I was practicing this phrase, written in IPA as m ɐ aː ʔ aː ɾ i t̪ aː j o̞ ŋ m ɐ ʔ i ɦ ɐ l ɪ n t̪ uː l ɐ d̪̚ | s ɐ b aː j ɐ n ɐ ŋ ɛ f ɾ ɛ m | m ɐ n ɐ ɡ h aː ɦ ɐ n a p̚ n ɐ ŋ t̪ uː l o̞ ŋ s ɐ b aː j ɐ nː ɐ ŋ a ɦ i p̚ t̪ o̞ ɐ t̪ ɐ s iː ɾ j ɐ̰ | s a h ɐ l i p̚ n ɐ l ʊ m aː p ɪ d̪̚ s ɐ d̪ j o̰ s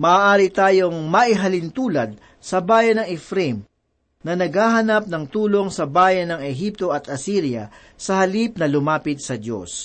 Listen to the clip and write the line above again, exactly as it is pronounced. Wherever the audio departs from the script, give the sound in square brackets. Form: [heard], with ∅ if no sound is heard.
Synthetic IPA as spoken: m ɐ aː ʔ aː ɾ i t̪ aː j o̞ ŋ m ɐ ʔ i ɦ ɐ l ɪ n t̪ uː l ɐ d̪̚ | s ɐ b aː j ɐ n ɐ ŋ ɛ f ɾ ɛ m | [n] ɐ n ɐ ɡ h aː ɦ ɐ n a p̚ n ɐ ŋ t̪ uː l o̞ ŋ s ɐ b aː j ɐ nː ɐ ŋ [ɛ] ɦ i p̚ t̪ o̞ ɐ t̪ ɐ s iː ɾ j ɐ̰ | s [ɐ] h ɐ l i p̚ n ɐ l ʊ m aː p ɪ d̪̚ s ɐ d̪ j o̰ s